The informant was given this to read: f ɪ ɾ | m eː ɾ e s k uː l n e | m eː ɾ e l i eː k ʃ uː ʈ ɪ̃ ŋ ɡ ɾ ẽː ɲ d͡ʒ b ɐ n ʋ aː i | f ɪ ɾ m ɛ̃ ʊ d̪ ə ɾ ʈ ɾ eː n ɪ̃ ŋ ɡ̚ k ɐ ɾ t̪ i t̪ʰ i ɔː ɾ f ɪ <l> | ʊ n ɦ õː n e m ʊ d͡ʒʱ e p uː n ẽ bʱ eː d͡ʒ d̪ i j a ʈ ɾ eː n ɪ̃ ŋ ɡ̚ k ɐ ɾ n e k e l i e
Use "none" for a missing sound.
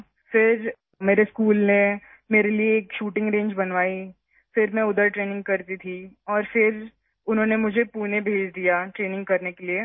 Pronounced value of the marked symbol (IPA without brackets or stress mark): ɾ